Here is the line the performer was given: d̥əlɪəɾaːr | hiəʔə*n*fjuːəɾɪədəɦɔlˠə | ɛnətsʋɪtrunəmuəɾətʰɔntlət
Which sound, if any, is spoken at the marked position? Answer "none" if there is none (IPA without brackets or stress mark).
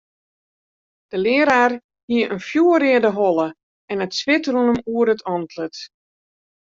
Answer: n